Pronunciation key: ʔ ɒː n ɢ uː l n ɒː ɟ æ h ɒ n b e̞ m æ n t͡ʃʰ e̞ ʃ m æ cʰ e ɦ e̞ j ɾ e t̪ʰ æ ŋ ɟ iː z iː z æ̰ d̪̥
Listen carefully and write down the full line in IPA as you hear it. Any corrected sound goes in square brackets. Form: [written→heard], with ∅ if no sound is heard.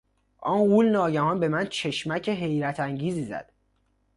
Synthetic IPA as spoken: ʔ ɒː n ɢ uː l n ɒː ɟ æ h ɒ n b e̞ m æ n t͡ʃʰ e̞ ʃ m æ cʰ e ɦ e̞ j ɾ [e→æ] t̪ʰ æ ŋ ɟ iː z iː z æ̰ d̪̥